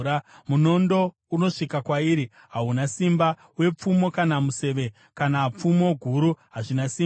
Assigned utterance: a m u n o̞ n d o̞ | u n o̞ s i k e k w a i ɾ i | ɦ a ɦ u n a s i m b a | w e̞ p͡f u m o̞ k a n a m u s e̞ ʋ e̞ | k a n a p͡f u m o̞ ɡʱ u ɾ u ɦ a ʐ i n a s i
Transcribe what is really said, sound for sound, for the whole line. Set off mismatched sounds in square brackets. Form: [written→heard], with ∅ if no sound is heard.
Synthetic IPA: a m u n o̞ n d o̞ | u n o̞ [s→ʂ] i k [e→a] k w a i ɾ i | ɦ a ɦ u n a s i m b a | w e̞ p͡f u m o̞ k a n a m u s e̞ ʋ e̞ | k a n a p͡f u m o̞ ɡʱ u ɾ u ɦ a ʐ i n a s i

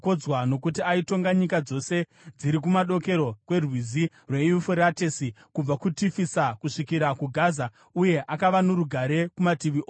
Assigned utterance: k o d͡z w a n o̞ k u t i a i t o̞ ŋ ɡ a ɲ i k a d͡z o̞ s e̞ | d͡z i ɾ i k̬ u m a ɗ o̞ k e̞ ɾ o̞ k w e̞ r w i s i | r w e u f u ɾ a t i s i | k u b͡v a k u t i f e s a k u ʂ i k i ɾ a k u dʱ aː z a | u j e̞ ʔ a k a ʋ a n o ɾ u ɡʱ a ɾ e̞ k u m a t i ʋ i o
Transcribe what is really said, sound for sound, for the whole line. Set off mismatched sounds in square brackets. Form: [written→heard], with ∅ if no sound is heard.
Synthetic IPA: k o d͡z w a n o̞ k u t i a i t o̞ ŋ ɡ a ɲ i k a d͡z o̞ s e̞ | d͡z i ɾ i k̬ u m a ɗ o̞ k e̞ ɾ o̞ k w e̞ r w i [s→z] i | r w e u f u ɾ a t [i→e] s i | k u b͡v a k u t i f [e→i] s a k u ʂ i k i ɾ a k u [dʱ→ɡʱ] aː z a | u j e̞ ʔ a k a ʋ a n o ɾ u ɡʱ a ɾ e̞ k u m a t i ʋ i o

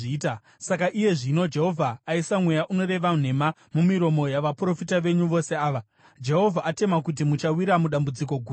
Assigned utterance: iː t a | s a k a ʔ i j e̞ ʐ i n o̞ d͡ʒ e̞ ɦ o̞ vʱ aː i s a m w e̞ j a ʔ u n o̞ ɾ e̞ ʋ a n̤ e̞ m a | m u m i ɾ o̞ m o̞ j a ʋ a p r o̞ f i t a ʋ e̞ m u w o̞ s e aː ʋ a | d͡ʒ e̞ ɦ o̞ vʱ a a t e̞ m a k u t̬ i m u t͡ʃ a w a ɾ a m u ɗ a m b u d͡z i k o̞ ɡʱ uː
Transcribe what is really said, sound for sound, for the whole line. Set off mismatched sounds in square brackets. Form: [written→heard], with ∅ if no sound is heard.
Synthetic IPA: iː t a | s a k a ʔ i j e̞ ʐ i n o̞ d͡ʒ e̞ ɦ o̞ vʱ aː i s a m w e̞ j a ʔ u n o̞ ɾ e̞ ʋ a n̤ e̞ m a | m u m i ɾ o̞ m o̞ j a ʋ a p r o̞ f i t a ʋ e̞ [m→ɲ] u [w→ʋ] o̞ s e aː ʋ a | d͡ʒ e̞ ɦ o̞ vʱ a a t e̞ m a k u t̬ i m u t͡ʃ a w [a→i] ɾ a m u ɗ a m b u d͡z i k o̞ ɡʱ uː

